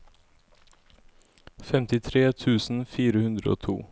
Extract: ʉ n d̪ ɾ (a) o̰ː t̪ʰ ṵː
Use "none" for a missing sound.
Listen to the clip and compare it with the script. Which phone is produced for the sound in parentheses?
ə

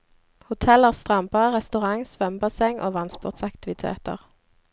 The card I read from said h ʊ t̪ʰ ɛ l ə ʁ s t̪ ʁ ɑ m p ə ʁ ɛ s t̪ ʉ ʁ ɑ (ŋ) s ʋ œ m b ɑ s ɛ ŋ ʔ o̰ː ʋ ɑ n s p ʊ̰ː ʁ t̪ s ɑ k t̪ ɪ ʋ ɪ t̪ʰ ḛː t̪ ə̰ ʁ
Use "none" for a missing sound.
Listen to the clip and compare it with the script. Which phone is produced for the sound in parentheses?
ŋ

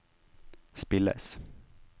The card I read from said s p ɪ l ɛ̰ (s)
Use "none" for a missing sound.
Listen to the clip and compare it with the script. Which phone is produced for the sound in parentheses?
s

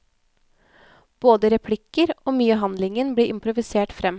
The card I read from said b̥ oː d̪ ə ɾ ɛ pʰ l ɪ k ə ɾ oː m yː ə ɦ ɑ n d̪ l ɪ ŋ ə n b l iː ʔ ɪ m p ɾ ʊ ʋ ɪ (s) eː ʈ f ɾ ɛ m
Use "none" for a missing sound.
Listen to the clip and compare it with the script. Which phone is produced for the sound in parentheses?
s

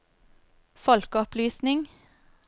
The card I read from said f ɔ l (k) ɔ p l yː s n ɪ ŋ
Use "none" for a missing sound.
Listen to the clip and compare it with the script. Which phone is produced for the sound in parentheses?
k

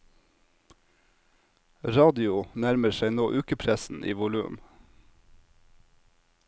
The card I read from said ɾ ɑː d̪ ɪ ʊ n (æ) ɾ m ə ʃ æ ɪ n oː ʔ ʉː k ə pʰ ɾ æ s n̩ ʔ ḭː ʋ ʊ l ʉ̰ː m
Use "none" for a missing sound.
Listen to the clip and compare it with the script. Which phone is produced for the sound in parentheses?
æ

